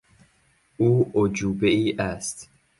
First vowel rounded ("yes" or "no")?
yes